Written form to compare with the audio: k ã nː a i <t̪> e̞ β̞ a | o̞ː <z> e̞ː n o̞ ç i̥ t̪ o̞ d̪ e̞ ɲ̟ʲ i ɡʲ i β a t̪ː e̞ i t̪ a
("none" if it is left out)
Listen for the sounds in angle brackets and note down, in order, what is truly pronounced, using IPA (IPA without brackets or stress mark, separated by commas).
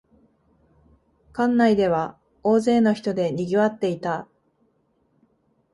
d̪, z